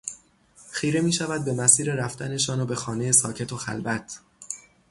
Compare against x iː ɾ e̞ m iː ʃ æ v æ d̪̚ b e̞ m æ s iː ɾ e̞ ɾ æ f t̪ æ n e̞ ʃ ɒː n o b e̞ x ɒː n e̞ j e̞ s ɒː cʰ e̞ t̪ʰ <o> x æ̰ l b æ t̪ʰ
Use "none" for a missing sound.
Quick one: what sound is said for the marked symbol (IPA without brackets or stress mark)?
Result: o